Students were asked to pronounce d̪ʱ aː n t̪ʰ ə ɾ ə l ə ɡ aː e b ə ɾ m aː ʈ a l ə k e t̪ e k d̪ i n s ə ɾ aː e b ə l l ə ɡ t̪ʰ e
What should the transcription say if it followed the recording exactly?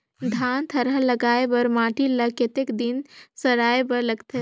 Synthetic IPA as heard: d̪ʱ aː n t̪ʰ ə ɾ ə l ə ɡ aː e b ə ɾ m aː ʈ i l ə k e t̪ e k d̪ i n s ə ɾ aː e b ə ɾ l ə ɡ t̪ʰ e